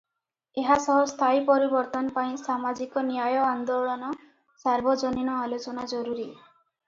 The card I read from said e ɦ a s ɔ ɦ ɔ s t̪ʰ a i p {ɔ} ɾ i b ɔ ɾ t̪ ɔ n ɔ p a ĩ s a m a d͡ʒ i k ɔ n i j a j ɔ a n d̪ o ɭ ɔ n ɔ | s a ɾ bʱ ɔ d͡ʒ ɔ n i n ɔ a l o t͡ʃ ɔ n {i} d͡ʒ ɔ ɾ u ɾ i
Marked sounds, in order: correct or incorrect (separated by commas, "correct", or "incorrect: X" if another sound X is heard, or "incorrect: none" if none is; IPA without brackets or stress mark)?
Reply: correct, incorrect: a